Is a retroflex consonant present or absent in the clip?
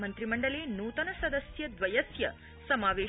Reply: present